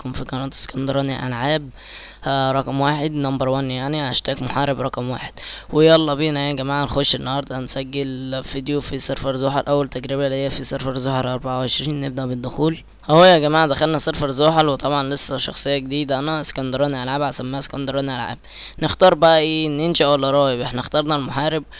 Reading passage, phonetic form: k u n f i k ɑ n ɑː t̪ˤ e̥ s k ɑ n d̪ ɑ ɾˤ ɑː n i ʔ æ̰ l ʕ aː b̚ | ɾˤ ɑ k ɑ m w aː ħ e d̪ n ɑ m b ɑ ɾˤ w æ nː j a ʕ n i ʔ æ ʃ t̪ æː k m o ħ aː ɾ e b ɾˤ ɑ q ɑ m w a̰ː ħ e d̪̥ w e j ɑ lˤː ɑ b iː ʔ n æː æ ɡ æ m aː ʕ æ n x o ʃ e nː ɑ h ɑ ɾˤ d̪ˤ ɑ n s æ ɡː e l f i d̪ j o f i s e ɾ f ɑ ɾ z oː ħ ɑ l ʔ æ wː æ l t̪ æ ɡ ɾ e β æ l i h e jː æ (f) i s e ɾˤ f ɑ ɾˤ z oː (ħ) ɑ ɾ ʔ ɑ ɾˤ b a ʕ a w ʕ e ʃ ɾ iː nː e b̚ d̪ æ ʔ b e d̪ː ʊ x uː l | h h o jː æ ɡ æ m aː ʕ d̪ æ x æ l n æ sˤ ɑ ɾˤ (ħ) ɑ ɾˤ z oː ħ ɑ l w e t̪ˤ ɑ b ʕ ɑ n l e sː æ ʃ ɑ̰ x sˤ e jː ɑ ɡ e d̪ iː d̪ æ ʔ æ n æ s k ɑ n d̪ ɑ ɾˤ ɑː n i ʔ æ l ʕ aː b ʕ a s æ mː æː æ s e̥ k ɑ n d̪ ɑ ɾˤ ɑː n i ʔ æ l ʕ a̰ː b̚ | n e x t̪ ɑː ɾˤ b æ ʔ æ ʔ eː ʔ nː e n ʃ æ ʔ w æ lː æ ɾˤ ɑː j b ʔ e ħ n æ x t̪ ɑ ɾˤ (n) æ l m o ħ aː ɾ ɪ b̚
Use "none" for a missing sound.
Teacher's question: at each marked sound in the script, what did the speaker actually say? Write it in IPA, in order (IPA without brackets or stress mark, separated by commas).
f, ħ, f, n